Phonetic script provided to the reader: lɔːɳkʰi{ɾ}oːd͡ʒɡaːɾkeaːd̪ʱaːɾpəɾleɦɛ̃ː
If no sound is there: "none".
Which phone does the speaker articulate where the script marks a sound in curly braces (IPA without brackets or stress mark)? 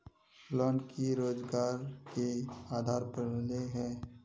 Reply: ɾ